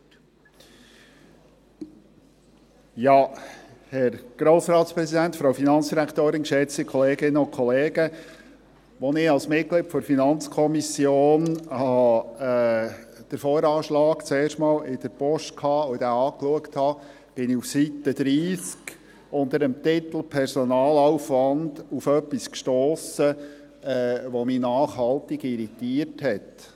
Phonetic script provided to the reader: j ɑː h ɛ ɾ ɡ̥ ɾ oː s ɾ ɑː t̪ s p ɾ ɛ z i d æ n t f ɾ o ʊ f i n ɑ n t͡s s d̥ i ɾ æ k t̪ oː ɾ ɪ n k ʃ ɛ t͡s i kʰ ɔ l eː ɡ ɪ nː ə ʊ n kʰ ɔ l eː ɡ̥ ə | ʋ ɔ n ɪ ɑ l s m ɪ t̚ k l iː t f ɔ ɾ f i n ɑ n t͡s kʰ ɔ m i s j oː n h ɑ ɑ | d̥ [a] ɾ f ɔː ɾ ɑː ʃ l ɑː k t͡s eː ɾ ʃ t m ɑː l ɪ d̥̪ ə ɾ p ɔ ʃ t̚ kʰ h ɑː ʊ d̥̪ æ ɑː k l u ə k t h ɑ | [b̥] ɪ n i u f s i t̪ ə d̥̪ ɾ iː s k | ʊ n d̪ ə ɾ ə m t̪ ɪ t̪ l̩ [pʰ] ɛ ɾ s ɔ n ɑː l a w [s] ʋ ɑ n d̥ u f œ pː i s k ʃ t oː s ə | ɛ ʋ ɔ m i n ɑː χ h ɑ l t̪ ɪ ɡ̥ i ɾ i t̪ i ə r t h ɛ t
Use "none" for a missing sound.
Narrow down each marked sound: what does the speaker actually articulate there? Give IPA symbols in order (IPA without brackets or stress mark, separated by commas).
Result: ə, b̥, pʰ, f